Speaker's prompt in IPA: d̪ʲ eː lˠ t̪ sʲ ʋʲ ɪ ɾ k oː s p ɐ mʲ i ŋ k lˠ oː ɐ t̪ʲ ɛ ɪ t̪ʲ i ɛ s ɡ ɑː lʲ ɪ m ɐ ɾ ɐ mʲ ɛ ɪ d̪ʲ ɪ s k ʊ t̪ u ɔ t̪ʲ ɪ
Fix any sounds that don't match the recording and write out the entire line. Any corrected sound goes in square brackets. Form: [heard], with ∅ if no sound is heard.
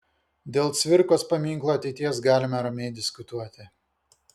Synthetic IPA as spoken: d̪ʲ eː lˠ t̪ sʲ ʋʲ ɪ ɾ k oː s p ɐ mʲ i ŋ k lˠ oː ɐ t̪ʲ ɛ ɪ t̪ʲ i ɛ s ɡ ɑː lʲ ɪ m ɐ ɾ ɐ mʲ ɛ ɪ d̪ʲ ɪ s k ʊ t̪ u ɔ t̪ʲ ɪ